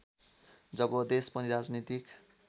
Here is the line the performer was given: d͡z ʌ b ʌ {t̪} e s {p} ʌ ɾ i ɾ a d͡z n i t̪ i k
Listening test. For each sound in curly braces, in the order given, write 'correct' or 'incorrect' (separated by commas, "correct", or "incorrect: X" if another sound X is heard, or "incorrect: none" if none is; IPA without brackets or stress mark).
incorrect: d̪, correct